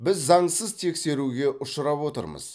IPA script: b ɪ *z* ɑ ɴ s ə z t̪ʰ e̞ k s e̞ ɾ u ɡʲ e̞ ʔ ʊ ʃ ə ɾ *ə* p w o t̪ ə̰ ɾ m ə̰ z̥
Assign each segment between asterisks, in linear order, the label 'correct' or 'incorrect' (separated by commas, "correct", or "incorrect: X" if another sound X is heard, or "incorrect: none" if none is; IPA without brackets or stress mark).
incorrect: zː, incorrect: ɑ